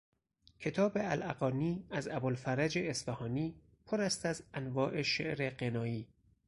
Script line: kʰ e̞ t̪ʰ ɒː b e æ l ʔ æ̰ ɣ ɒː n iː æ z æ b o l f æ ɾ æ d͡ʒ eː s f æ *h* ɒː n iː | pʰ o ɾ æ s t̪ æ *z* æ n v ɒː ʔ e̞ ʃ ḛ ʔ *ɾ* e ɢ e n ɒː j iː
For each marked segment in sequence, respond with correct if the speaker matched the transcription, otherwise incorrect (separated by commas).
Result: correct, correct, correct